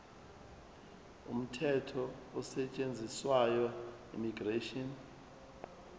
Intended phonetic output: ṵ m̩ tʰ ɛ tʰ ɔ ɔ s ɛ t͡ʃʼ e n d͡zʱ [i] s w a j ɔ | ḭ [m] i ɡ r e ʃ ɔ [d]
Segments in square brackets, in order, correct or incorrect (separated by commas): correct, correct, incorrect